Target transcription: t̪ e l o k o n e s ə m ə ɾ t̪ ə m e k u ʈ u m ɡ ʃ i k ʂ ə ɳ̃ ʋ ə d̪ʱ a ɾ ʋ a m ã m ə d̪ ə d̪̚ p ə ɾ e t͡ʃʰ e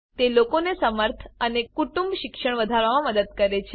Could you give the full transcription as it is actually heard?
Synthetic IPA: t̪ e l o k o n e s ə m ə ɾ t̪ʰ ə n e k u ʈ u m b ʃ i k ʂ ə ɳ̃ ʋ ə d̪ʱ a ɾ ʋ a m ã m ə d̪ ə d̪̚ k ə ɾ e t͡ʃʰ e